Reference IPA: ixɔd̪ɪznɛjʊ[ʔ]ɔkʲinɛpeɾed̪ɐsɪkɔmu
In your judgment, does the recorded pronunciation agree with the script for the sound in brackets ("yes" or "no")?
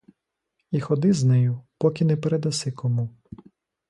no